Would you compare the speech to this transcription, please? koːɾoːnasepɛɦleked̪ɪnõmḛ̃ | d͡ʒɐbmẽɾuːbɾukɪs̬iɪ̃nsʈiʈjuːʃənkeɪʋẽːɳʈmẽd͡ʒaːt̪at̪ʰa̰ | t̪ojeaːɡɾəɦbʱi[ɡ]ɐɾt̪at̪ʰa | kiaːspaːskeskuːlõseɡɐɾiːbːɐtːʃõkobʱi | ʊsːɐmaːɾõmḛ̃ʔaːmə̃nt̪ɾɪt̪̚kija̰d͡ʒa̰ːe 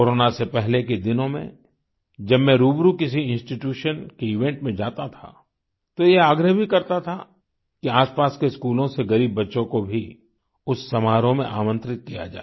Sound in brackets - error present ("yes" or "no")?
yes